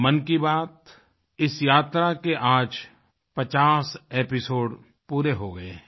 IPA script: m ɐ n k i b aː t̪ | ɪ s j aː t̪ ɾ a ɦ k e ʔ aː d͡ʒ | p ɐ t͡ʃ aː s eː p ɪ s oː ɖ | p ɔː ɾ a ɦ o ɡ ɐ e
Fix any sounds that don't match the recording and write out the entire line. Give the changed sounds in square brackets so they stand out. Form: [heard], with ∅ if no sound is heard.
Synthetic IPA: m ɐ n k i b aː t̪ | ɪ s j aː t̪ ɾ a [∅] k e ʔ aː d͡ʒ | p ɐ t͡ʃ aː s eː p ɪ s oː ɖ | p [uː] ɾ [e] ɦ o ɡ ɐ e